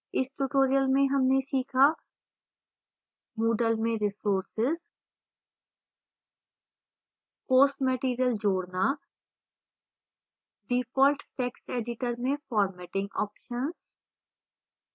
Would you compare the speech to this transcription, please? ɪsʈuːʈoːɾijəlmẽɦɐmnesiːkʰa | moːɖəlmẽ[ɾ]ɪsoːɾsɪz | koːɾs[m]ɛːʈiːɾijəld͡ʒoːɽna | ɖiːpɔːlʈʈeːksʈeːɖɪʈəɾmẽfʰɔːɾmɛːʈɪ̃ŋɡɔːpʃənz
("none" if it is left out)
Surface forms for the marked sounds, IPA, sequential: ɾ, m

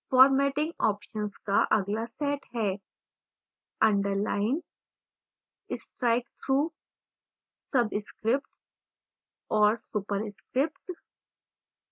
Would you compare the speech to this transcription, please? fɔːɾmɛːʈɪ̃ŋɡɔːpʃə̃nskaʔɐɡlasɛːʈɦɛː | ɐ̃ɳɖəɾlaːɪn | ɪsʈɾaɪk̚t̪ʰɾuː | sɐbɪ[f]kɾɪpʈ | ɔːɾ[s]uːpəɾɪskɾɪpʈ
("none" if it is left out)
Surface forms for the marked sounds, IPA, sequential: s, s

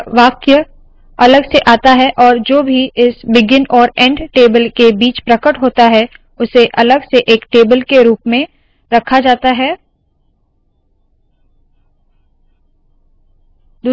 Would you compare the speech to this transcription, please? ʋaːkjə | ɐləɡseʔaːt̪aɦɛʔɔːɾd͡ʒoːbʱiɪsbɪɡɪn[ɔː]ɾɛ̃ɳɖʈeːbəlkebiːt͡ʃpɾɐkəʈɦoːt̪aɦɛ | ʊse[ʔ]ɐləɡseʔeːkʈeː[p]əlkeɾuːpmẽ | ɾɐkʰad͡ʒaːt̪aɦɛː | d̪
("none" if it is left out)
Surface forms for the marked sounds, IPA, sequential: ɔː, ʔ, b

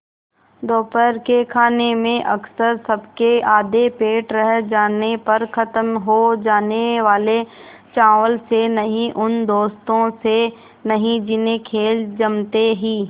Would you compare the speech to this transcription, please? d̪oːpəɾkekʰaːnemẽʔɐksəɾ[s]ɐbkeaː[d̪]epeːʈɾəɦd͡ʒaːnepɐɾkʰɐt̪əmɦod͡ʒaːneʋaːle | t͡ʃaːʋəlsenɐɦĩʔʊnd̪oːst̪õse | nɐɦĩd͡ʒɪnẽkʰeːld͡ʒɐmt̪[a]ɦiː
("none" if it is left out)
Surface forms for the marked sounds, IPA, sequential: s, d̪, e

